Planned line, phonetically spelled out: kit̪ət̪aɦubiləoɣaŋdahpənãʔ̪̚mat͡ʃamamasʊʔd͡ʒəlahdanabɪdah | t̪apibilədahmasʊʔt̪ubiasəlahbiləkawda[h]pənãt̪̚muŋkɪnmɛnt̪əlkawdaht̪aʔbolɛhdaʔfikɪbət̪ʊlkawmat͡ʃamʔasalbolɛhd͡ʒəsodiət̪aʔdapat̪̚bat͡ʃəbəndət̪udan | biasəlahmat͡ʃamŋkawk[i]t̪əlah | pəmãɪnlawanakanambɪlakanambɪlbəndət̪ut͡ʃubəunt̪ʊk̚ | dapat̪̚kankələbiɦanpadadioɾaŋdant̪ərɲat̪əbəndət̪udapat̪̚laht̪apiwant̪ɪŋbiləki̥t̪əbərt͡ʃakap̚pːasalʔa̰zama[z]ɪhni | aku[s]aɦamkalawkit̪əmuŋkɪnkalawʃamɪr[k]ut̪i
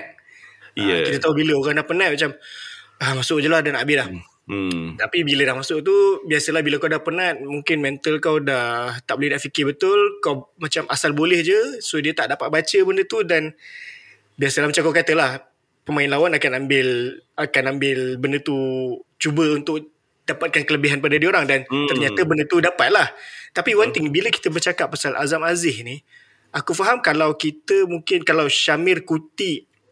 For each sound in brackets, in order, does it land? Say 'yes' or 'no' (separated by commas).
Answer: yes, no, yes, no, yes